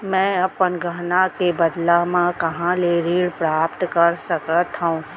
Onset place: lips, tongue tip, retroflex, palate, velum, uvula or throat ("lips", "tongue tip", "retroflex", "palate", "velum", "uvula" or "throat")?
lips